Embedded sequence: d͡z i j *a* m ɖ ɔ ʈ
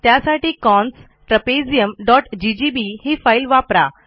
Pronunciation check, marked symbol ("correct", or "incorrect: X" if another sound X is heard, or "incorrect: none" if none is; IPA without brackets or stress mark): incorrect: ə